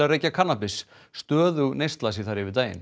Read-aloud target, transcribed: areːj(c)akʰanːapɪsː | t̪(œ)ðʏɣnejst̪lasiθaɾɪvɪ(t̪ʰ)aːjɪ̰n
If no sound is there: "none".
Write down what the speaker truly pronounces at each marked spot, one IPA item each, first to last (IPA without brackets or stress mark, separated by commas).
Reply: c, œː, t̪